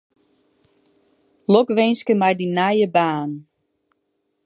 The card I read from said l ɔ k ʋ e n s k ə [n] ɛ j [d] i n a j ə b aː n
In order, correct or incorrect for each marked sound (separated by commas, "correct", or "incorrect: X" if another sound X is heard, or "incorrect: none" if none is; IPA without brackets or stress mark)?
incorrect: m, correct